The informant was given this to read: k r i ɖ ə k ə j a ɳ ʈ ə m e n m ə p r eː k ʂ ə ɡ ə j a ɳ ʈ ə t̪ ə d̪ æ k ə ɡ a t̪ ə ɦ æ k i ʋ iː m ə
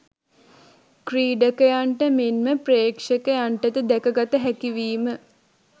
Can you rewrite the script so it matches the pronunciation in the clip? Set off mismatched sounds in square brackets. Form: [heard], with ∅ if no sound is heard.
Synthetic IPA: k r [iː] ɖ ə k ə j a ɳ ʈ ə m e n m ə p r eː k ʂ ə [k] ə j a ɳ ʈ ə t̪ ə d̪ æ k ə ɡ a t̪ ə ɦ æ k i ʋ iː m ə